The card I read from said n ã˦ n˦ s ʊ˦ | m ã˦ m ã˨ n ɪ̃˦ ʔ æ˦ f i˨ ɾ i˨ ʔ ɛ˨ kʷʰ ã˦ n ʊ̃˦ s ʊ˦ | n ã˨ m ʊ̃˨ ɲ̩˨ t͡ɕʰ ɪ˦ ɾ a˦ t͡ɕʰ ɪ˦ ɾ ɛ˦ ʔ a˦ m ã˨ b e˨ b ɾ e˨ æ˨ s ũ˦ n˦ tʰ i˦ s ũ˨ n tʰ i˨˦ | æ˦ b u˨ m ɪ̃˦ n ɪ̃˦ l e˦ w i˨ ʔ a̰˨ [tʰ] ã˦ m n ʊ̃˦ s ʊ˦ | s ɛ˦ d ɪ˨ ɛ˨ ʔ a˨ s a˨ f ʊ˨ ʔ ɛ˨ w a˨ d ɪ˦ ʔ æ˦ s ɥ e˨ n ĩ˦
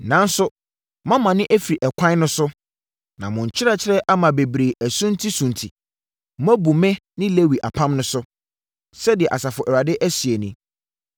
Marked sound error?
yes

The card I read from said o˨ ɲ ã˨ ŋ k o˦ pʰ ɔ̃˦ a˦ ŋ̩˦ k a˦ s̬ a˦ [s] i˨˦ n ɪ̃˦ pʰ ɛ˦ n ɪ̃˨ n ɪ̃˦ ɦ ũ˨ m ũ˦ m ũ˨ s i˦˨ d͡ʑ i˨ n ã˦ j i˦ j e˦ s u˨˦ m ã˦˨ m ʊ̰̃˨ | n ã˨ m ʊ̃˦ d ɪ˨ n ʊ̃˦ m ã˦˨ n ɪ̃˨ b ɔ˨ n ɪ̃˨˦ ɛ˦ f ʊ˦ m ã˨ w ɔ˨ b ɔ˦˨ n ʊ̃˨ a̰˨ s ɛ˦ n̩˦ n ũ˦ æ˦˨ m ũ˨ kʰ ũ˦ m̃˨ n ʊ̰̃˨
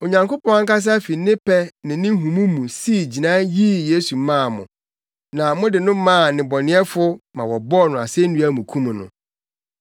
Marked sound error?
yes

